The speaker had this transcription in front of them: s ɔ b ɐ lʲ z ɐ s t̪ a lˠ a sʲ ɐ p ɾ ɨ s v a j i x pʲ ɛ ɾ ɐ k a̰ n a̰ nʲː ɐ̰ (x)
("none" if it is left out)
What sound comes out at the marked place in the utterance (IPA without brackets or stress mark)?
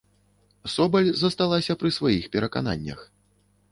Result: x